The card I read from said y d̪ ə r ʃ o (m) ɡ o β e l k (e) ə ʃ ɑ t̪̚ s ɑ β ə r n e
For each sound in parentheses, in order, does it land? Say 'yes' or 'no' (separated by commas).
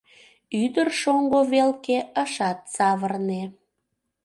no, yes